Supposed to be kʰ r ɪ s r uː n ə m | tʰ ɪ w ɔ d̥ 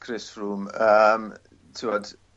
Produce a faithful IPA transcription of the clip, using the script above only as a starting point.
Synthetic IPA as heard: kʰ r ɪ s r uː m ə m | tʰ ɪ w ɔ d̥